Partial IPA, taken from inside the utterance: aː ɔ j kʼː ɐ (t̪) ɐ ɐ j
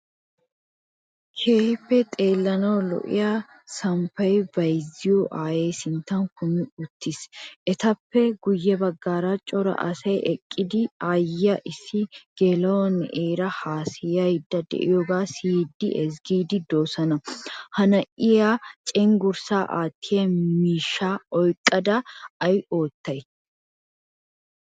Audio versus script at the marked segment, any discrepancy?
yes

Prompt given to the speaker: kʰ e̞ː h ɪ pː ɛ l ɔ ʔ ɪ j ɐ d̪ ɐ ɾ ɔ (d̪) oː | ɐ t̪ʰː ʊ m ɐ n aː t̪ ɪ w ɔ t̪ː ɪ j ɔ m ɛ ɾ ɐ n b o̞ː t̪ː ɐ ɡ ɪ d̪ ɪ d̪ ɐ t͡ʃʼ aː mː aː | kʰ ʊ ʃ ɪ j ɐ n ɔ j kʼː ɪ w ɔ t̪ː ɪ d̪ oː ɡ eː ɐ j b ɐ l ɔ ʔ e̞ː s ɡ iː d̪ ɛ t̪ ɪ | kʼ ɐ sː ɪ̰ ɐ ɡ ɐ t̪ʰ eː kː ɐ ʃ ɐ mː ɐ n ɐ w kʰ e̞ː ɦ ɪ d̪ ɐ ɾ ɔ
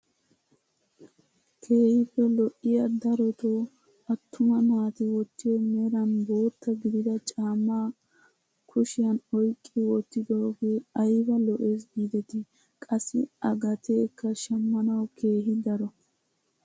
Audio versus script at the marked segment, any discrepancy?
yes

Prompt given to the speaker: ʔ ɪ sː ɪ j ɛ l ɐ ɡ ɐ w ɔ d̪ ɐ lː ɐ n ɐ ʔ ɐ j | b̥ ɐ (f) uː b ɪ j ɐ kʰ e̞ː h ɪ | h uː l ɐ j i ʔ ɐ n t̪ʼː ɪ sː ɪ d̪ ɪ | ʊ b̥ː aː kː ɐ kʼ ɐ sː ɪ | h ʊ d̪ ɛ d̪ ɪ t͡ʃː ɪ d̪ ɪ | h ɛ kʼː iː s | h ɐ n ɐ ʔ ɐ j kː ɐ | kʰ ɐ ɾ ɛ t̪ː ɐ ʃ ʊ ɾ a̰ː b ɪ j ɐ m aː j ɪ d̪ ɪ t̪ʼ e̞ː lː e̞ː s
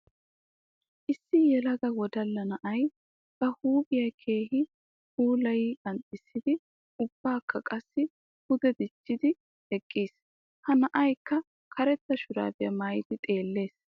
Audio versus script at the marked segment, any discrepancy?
yes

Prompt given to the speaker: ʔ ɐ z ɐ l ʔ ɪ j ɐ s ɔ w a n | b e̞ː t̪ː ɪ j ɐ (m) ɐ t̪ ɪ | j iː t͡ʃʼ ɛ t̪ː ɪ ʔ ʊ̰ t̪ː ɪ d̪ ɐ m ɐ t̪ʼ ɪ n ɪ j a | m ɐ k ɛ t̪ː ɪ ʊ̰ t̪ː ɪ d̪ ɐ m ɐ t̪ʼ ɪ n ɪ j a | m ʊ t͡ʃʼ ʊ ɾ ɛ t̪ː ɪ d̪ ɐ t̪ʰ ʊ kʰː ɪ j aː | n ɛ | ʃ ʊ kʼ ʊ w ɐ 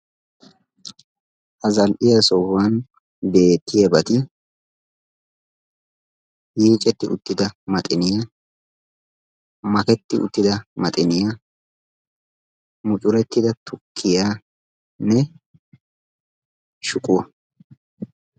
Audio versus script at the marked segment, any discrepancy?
yes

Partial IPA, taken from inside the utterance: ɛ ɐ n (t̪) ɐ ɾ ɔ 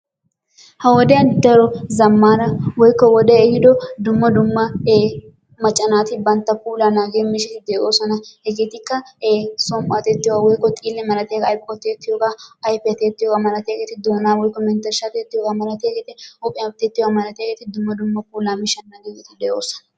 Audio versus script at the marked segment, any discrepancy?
yes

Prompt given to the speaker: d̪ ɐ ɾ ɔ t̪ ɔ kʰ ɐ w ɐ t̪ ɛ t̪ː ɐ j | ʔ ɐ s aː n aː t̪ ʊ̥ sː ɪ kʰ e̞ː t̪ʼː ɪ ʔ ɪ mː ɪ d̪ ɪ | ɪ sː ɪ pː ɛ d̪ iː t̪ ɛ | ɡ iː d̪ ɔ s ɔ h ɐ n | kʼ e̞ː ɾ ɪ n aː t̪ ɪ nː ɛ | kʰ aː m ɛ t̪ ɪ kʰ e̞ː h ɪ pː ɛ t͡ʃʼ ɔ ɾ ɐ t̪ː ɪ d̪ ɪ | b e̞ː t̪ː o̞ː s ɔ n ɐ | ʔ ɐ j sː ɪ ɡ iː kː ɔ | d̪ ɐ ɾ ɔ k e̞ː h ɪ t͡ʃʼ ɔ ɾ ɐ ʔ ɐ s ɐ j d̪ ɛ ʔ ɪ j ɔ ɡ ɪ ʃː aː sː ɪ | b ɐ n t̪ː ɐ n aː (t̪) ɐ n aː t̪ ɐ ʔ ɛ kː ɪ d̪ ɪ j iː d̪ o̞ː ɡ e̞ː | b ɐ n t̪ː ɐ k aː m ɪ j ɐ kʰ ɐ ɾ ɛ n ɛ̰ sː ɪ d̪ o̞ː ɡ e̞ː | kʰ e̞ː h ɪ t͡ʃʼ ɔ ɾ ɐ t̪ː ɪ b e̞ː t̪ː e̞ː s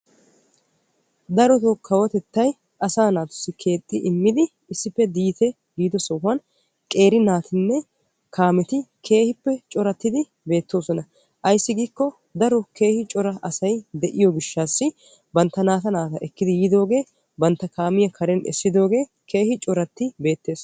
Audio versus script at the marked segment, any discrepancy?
no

